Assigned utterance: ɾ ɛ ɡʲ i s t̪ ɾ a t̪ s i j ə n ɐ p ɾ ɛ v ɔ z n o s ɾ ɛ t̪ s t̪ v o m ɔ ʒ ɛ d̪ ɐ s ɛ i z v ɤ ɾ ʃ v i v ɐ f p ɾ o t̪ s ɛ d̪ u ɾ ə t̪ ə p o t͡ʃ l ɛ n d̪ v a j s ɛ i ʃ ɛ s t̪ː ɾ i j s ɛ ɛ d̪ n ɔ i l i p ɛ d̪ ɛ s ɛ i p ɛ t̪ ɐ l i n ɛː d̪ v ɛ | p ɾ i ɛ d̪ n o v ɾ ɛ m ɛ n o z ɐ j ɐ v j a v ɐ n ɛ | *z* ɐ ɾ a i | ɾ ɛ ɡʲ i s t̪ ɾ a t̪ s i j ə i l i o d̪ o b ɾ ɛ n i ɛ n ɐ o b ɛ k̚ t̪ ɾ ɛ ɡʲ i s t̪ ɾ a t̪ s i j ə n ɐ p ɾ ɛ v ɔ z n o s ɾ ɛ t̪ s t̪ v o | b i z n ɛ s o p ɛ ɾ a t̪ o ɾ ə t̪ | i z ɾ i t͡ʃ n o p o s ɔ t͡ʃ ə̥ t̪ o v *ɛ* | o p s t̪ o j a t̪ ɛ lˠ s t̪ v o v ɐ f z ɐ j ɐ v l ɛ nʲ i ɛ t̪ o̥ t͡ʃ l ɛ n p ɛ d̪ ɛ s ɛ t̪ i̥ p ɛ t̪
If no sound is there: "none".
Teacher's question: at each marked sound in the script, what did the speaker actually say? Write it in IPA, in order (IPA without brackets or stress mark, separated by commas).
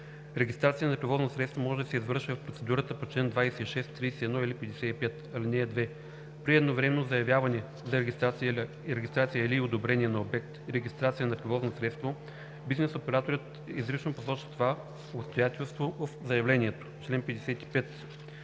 z, a